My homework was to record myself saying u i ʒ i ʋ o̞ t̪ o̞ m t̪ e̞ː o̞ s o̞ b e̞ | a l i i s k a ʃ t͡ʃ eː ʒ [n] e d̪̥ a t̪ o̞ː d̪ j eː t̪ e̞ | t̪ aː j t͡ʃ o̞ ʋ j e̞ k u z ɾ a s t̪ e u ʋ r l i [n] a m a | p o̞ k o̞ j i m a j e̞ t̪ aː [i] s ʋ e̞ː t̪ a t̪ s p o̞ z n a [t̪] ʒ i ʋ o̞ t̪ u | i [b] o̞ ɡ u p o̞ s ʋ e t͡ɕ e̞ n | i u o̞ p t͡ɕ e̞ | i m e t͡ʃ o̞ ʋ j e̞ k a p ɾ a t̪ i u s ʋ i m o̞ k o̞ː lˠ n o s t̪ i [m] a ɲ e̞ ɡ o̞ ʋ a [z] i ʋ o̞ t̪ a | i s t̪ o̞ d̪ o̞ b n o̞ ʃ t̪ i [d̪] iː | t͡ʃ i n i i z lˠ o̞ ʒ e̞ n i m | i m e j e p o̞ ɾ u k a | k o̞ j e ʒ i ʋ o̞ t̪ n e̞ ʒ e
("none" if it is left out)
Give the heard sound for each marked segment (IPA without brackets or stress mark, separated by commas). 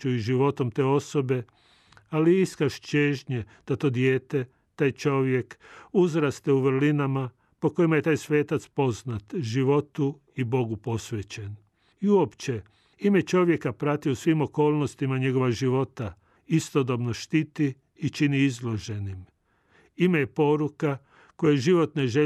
ɲ, n, j, t̪, b, m, ʒ, t̪